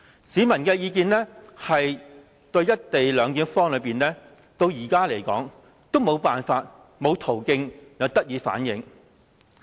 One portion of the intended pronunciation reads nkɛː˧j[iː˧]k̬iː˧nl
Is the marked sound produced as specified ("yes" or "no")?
yes